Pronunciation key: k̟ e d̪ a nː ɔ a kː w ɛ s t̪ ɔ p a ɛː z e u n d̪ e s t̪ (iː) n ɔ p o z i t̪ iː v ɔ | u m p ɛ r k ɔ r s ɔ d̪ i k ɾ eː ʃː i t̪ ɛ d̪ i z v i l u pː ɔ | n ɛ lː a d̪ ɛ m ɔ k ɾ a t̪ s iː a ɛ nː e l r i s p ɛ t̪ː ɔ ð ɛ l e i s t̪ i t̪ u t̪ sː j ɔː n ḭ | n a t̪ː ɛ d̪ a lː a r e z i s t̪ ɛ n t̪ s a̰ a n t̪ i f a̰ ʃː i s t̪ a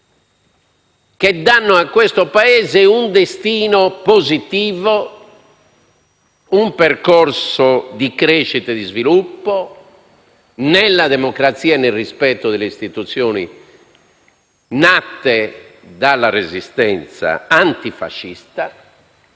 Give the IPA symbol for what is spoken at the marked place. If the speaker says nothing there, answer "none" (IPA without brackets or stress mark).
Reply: iː